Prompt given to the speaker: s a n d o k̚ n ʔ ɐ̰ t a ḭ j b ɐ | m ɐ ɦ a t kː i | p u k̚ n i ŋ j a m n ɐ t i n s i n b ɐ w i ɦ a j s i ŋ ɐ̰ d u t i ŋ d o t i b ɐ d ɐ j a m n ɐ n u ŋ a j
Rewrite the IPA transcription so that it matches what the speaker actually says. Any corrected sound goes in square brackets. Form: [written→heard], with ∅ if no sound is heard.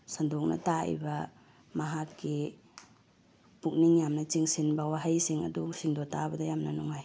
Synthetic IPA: s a n d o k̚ n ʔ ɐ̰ t a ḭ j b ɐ | m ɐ ɦ a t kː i | p u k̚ n i ŋ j a m n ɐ [t→t͡ʃ] i [n→ŋ] s i n b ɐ w [i→a] ɦ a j s i ŋ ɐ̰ d u [t→s] i ŋ d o t [i→a] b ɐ d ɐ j a m n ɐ n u ŋ a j